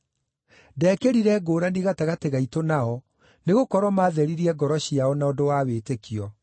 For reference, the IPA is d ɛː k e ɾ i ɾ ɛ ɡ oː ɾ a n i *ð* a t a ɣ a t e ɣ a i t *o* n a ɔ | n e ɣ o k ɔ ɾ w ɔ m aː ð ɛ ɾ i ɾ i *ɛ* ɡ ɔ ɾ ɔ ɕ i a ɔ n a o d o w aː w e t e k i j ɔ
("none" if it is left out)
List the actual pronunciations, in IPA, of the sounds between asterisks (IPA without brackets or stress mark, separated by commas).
ɣ, o, ɛ